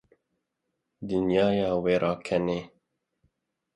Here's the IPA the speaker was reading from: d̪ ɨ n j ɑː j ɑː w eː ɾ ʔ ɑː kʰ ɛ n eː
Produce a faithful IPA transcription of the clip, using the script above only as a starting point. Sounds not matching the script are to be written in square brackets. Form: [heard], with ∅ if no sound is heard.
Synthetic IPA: d̪ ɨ n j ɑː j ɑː w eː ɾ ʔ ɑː kʰ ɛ n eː